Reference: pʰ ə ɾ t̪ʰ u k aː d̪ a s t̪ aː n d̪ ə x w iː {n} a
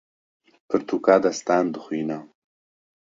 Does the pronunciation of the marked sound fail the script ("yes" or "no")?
no